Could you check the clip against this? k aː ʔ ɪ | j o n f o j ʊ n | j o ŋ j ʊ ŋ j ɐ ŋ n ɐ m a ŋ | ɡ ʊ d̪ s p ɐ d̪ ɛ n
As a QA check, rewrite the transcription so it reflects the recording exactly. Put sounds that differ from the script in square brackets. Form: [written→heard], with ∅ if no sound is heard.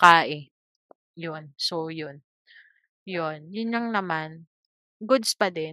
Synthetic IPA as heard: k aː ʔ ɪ | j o n [f→s] o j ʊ n | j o [ŋ→n] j ʊ [ŋ→n] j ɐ ŋ n ɐ m a [ŋ→n] | ɡ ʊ d̪ s p ɐ d̪ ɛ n